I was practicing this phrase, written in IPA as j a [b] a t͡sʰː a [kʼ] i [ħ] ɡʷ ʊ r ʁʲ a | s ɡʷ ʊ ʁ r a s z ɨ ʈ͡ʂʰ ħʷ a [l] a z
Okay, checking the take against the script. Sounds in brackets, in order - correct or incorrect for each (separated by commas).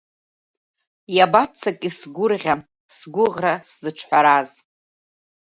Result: correct, correct, incorrect, incorrect